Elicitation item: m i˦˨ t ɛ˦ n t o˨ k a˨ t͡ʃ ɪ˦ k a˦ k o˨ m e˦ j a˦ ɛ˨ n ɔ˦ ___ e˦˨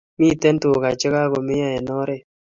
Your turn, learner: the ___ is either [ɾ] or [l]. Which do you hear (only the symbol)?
ɾ